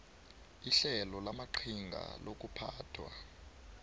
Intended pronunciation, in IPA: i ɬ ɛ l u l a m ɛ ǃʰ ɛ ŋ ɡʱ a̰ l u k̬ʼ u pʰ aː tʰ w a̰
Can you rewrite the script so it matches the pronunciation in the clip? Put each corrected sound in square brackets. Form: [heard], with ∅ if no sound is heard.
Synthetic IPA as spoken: i ɬ ɛ l [ɔ] l a m [a] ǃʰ [i] ŋ ɡʱ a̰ l [o] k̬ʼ u pʰ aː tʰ w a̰